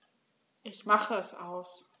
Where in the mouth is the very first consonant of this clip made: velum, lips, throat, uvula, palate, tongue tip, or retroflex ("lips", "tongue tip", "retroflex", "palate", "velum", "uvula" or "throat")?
throat